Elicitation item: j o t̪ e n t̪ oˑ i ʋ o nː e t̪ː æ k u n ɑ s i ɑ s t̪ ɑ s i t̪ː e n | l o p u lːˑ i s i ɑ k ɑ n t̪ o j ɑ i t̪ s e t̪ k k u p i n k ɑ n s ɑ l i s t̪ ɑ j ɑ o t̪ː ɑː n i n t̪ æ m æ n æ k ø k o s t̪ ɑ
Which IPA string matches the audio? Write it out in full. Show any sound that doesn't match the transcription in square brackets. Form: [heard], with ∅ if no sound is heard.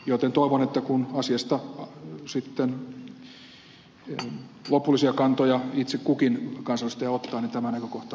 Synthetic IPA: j o t̪ e n t̪ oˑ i ʋ o [n] e t̪ː æ k u n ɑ s i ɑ s t̪ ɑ s i t̪ː e n | l o p u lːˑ i s i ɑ k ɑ n t̪ o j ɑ i t̪ s e [∅] k k u [k] i n k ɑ n s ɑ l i s t̪ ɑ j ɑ o t̪ː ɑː n i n t̪ æ m æ n æ k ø k o [h] t̪ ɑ